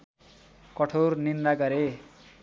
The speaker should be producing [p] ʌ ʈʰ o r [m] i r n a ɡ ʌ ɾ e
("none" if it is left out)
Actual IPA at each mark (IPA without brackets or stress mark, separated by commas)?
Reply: k, n